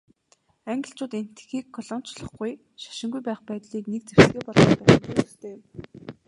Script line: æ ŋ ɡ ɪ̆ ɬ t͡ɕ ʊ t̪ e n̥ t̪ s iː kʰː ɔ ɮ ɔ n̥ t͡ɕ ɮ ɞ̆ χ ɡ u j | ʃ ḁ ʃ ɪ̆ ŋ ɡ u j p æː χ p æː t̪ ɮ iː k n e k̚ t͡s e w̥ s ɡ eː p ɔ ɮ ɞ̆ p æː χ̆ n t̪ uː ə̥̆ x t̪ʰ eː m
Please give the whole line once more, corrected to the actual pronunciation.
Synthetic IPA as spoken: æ ŋ ɡ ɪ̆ ɬ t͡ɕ ʊː t̪ e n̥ t̪ x iː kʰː ɔ ɮ ɔ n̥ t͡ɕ ɮ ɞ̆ χ ɡ u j | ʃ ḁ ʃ ɪ̆ ŋ ɡ u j p æː χ p æː t̪ ɮ iː k n e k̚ t͡s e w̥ s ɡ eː p ɔ ɮ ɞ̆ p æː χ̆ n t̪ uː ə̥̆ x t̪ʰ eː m